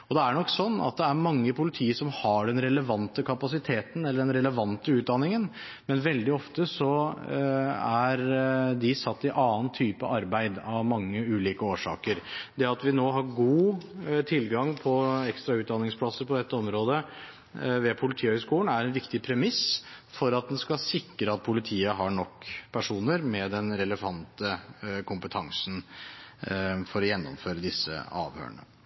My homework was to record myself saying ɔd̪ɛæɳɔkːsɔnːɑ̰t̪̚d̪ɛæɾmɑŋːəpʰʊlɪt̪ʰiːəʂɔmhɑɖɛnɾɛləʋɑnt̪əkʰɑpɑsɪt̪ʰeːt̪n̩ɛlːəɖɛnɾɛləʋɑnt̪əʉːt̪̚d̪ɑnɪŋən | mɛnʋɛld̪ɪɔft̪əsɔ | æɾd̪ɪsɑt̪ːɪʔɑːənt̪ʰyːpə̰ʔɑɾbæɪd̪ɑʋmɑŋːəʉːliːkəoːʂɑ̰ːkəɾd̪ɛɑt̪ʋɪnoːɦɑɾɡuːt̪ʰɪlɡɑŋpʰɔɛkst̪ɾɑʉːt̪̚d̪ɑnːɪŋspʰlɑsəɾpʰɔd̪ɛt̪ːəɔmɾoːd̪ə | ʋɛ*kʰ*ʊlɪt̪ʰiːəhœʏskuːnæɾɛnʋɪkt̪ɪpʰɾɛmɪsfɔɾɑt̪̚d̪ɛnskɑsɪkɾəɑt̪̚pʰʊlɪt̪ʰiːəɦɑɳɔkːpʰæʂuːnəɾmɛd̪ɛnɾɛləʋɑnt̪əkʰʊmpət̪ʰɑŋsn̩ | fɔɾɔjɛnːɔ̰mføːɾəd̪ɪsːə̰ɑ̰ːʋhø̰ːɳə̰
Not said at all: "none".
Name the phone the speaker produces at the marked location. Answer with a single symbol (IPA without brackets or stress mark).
pʰ